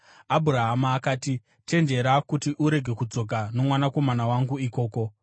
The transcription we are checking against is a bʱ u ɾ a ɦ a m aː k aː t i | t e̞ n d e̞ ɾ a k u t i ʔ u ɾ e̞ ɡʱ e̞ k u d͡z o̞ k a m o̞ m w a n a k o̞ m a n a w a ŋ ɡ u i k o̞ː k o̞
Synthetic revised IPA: a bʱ u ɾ a ɦ a m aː k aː t i | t e̞ n d͡ʒ e̞ ɾ a k u t i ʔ u ɾ e̞ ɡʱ e̞ k u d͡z o̞ k a n o̞ m w a n a k o̞ m a n a w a ŋ ɡ u i k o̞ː k o̞

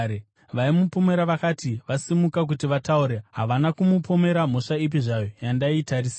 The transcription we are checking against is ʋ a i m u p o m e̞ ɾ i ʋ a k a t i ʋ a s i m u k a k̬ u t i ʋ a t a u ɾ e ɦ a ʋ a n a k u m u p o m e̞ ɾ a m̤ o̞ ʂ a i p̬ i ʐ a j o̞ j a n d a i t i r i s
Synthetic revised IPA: ʋ a i m u p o m e̞ ɾ a ʋ a k a t i ʋ a s i m u k a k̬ u t i ʋ a t a u ɾ e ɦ a ʋ a n a k u m u p o m e̞ ɾ a m̤ o̞ ʂ a i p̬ i ʐ a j o̞ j a n d a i t a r i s

